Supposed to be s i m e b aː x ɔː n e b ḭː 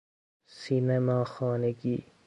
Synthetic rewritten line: s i n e m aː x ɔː n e ɡ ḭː